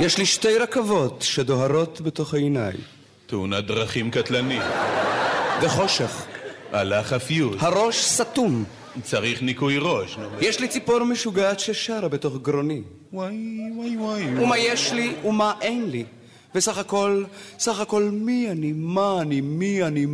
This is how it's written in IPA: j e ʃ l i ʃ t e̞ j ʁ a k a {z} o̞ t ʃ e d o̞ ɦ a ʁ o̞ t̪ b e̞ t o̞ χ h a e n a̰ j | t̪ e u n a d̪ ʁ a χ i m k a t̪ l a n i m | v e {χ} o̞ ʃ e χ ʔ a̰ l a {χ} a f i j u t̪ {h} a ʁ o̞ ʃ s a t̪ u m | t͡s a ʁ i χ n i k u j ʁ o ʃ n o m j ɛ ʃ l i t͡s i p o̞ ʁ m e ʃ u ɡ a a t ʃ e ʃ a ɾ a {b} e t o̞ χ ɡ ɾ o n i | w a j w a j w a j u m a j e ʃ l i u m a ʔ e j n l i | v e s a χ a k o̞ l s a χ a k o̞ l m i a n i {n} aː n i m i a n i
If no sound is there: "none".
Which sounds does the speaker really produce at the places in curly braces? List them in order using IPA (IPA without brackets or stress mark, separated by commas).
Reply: v, χ, χ, h, b, m